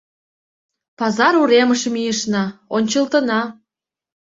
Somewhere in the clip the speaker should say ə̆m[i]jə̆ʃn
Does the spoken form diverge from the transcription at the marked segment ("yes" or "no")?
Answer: no